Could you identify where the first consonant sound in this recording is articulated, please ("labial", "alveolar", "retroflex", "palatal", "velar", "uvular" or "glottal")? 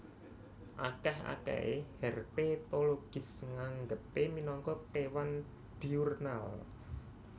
glottal